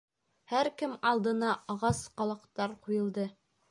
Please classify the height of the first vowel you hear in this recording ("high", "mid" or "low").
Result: low